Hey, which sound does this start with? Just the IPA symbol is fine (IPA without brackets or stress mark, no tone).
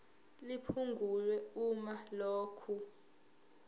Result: l